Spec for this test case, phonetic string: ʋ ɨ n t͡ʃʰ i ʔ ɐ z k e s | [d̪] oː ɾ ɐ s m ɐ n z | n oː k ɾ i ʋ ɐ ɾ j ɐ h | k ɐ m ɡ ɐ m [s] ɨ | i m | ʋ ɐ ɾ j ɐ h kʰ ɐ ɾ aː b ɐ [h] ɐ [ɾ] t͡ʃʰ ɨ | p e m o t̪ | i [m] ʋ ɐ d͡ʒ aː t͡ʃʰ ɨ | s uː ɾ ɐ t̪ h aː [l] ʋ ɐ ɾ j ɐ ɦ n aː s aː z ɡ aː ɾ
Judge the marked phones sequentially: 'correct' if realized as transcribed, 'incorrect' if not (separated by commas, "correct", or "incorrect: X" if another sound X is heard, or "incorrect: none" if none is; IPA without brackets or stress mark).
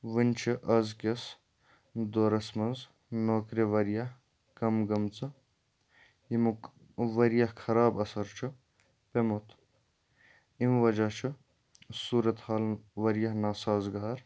correct, incorrect: t͡s, incorrect: s, correct, correct, correct